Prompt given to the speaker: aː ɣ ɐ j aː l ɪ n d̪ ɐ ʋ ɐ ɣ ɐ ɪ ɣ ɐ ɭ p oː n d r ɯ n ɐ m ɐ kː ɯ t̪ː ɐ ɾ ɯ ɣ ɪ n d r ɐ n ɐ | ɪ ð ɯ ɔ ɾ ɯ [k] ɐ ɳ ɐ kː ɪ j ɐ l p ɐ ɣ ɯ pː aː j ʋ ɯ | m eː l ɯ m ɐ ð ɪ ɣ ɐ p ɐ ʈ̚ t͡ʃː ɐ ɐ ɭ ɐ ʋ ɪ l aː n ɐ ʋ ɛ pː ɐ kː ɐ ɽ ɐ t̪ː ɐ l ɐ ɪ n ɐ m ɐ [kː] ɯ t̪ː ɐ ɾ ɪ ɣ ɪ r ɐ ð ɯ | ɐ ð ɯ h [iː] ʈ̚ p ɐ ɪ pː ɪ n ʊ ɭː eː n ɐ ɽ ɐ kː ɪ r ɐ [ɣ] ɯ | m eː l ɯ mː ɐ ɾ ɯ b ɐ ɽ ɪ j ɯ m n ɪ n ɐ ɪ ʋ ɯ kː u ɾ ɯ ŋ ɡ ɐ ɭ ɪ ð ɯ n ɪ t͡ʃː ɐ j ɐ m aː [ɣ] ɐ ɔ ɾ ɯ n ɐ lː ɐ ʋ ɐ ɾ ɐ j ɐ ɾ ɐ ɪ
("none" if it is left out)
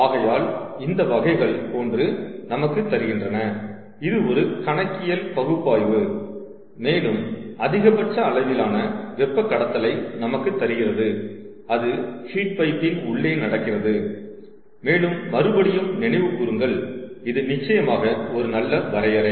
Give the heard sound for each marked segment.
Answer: k, kː, iː, ð, ɣ

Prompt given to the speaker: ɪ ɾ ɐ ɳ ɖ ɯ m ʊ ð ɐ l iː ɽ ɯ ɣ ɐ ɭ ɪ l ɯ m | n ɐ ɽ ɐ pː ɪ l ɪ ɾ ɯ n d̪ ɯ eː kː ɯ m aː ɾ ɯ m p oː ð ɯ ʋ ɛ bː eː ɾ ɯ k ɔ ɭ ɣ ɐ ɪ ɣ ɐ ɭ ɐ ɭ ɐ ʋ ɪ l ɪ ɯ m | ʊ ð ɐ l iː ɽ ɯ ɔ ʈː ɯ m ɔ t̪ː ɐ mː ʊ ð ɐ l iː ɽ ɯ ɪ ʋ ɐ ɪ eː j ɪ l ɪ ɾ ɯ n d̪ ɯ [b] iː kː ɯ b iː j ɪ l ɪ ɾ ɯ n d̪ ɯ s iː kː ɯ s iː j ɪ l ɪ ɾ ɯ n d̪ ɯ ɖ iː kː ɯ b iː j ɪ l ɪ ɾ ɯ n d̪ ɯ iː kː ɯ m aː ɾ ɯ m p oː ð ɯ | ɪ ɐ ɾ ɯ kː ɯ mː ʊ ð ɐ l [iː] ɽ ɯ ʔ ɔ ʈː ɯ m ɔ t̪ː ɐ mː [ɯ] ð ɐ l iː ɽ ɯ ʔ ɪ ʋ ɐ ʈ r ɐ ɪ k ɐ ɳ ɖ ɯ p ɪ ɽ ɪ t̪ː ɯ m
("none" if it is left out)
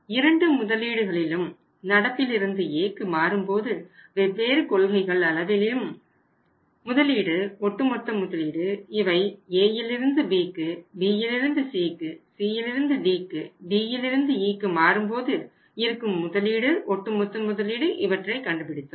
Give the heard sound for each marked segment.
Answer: b, iː, ʊ

